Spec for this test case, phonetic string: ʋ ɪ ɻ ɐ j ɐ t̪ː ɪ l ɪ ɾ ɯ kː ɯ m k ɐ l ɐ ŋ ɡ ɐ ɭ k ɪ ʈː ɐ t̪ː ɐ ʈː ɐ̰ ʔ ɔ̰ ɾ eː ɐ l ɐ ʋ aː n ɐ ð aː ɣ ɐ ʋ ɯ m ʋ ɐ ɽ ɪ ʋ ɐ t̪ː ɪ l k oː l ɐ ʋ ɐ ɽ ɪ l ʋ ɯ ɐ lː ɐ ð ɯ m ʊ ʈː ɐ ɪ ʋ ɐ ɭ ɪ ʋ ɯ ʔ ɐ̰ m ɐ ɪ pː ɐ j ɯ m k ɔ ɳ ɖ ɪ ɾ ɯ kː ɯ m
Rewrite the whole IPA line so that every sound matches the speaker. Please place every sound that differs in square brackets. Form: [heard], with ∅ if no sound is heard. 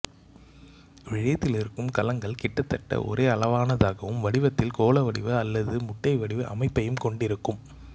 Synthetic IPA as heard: ʋ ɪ ɻ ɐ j ɐ t̪ː ɪ l ɪ ɾ ɯ kː ɯ m k ɐ l ɐ ŋ ɡ ɐ ɭ k ɪ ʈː ɐ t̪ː ɐ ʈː ɐ̰ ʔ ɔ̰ ɾ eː ɐ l ɐ ʋ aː n ɐ ð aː ɣ ɐ ʋ ɯ m ʋ ɐ ɽ ɪ ʋ ɐ t̪ː ɪ l k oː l ɐ ʋ ɐ ɽ ɪ [∅] ʋ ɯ ɐ lː ɐ ð ɯ m ʊ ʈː ɐ ɪ ʋ ɐ [ɽ] ɪ ʋ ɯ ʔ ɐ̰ m ɐ ɪ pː ɐ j ɯ m k ɔ ɳ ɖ ɪ ɾ ɯ kː ɯ m